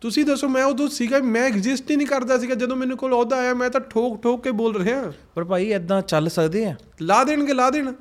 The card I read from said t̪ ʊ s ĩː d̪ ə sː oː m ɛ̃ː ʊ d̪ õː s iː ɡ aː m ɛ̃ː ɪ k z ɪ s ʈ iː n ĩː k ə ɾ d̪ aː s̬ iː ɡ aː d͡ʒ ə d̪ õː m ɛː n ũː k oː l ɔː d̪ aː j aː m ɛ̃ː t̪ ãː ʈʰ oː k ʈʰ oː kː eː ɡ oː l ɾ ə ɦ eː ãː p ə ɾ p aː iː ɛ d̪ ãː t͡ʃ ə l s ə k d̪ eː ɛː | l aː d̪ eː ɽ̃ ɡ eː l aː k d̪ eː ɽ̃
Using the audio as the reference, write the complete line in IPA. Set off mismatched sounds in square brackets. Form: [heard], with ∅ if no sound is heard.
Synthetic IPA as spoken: t̪ ʊ s ĩː d̪ ə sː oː m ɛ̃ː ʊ d̪ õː s iː ɡ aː m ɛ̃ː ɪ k z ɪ s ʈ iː n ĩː k ə ɾ d̪ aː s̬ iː ɡ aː d͡ʒ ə d̪ õː m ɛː n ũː k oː l ɔː d̪ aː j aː m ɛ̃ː t̪ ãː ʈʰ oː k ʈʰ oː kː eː [b] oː l ɾ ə ɦ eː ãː p ə ɾ p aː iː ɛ d̪ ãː t͡ʃ ə l s ə k d̪ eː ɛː | l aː d̪ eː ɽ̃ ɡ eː l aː [∅] d̪ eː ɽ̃